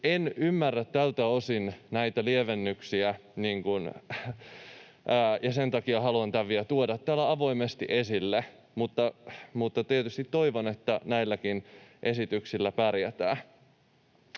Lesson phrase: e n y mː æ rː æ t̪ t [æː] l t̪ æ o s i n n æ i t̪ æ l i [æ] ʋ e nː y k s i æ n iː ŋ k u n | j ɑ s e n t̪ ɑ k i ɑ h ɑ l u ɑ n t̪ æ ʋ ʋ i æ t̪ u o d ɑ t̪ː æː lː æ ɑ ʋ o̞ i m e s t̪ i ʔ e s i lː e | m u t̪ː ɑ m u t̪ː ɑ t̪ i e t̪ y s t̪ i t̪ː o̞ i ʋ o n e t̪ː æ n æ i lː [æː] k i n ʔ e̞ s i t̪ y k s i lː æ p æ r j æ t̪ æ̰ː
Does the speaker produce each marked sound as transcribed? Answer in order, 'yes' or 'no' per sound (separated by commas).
no, no, no